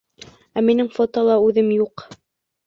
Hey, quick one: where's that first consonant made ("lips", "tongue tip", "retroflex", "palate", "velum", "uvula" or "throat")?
lips